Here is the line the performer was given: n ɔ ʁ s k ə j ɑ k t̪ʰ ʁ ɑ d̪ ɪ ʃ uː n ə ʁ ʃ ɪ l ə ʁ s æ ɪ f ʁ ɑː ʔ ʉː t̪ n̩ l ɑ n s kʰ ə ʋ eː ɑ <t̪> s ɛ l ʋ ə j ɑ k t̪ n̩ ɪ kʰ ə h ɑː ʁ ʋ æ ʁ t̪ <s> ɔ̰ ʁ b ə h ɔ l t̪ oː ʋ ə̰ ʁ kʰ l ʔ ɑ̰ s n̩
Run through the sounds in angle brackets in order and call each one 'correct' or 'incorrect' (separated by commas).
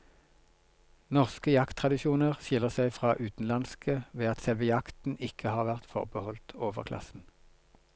correct, incorrect